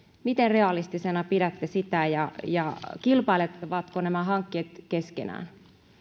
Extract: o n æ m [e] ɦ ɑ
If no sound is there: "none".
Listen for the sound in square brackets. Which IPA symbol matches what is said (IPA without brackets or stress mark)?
æ